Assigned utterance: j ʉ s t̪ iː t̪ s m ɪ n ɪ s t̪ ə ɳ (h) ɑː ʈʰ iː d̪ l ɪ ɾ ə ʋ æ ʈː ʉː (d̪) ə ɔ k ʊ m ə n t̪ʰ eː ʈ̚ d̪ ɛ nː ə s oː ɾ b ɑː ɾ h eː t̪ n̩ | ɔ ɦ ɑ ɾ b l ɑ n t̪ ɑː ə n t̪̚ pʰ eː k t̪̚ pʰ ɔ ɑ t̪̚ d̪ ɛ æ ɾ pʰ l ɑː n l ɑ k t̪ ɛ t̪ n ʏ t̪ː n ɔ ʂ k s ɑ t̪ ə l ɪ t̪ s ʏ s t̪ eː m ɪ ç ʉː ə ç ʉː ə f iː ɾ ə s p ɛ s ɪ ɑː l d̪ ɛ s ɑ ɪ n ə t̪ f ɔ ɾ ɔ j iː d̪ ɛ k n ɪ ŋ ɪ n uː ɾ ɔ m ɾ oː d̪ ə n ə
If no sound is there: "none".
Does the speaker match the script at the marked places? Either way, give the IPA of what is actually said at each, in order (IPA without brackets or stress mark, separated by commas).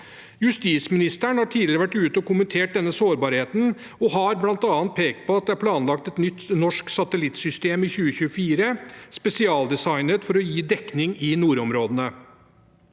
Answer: h, t̪